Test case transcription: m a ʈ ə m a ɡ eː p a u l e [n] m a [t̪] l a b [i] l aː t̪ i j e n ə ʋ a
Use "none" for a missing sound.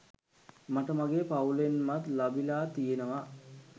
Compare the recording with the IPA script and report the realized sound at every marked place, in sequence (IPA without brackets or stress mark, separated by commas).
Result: n, t̪, i